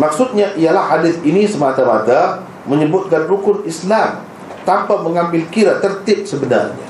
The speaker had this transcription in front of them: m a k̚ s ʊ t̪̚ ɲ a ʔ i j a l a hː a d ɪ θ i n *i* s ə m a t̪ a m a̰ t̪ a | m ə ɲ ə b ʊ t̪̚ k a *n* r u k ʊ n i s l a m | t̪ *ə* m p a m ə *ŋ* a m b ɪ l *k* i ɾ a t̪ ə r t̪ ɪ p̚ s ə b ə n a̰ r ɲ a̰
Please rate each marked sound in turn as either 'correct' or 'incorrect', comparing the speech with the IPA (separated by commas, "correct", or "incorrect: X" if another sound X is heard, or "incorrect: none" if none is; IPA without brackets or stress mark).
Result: correct, correct, incorrect: a, correct, correct